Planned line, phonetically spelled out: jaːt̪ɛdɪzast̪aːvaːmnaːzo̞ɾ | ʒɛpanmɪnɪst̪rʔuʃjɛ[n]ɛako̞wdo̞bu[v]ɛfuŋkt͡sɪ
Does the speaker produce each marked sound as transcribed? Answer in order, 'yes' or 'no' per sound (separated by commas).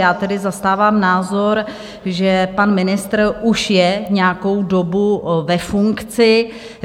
no, yes